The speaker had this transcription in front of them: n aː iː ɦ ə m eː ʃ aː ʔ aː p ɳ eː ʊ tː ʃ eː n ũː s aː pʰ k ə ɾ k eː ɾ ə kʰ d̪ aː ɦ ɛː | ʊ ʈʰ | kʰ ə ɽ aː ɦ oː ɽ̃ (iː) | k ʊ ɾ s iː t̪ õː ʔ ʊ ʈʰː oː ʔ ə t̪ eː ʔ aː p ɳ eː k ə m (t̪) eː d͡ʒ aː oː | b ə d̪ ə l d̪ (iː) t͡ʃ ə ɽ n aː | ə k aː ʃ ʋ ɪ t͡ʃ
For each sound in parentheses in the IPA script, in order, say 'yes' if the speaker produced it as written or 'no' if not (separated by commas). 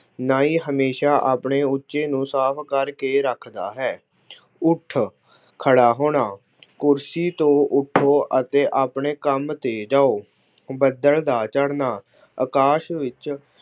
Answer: no, yes, no